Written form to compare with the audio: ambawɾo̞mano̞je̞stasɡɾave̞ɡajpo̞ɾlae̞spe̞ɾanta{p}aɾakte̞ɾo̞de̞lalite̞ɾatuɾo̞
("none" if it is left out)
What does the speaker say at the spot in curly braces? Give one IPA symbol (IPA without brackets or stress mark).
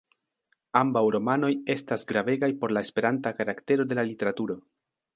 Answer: k